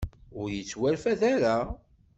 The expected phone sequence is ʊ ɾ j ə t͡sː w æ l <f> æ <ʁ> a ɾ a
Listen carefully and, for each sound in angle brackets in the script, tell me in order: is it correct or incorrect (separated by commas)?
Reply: correct, incorrect